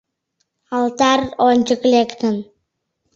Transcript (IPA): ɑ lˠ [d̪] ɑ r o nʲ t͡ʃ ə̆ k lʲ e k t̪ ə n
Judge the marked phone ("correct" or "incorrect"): incorrect